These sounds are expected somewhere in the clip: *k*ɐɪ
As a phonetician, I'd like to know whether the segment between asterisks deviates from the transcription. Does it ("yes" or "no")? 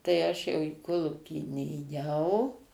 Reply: yes